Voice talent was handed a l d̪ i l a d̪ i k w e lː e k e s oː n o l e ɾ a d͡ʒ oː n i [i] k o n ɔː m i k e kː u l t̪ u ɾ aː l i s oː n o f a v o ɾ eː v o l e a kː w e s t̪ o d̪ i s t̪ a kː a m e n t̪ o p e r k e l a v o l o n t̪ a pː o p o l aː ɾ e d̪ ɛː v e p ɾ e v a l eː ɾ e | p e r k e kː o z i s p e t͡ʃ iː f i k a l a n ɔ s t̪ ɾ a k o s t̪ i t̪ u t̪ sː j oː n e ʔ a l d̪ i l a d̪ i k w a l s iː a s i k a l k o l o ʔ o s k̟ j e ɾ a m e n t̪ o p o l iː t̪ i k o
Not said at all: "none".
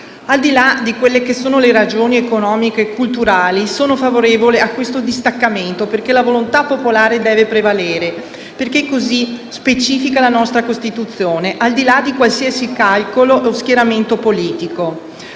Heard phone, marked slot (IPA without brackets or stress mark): e